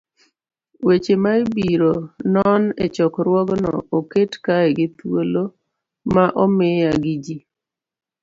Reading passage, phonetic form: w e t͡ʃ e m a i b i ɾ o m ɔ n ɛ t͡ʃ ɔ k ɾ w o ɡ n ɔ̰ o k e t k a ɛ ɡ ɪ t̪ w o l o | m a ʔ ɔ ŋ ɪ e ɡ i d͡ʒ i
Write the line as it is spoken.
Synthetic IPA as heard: w e t͡ʃ e m a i b i ɾ o n ɔ n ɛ t͡ʃ ɔ k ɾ w ɔ ɡ n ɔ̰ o k e t k a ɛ ɡ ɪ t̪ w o l o | m a ʔ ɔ m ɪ a ɡ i d͡ʒ i